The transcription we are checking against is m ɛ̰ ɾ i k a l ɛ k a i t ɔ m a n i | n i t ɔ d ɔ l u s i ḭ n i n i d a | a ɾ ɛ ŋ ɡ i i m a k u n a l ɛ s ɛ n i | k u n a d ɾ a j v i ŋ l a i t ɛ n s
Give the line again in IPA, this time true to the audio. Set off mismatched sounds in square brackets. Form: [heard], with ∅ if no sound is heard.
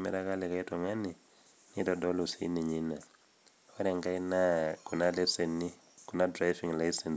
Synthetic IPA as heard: m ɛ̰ ɾ [a] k a l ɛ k a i t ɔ [ŋ] a n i | n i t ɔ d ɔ l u s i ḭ n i [ɲ] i [n] a | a ɾ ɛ ŋ ɡ [a] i [n] a k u n a l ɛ s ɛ n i | k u n a d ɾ a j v i ŋ l a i [s] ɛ n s